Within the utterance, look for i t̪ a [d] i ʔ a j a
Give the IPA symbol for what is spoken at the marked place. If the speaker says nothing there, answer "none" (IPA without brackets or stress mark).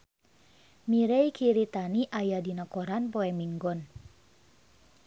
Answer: n